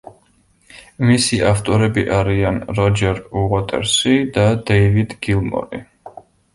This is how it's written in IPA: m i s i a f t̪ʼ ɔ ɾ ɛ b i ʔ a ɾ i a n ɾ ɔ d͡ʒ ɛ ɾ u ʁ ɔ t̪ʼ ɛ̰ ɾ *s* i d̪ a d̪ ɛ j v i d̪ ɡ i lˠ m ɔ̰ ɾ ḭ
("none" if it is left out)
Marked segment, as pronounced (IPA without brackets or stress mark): s